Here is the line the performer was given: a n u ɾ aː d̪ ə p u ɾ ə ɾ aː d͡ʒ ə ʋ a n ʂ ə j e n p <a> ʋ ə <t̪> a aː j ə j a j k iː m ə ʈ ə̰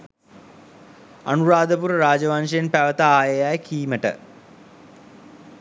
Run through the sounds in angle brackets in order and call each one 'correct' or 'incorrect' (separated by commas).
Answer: incorrect, correct